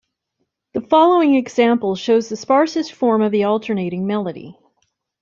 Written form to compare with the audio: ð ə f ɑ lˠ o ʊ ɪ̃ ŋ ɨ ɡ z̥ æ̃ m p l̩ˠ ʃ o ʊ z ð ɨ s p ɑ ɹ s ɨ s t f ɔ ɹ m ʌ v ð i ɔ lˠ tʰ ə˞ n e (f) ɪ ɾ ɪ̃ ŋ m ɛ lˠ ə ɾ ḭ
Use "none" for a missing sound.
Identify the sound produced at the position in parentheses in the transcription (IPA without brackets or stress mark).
none